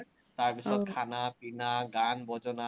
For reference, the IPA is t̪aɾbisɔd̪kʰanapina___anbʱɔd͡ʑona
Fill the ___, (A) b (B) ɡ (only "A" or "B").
B